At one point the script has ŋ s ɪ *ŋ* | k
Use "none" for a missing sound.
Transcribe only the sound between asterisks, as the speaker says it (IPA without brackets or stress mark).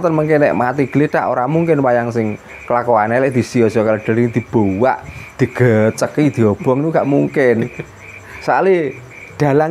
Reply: ŋ